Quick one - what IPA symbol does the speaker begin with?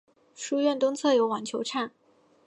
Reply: ʂ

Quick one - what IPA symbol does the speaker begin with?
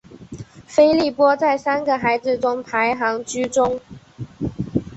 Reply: f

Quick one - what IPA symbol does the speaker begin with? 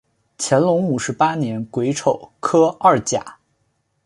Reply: t͡ɕʰ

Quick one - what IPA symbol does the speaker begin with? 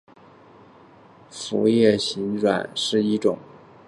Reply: f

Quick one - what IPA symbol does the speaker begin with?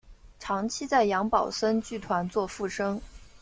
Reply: ʈ͡ʂʰ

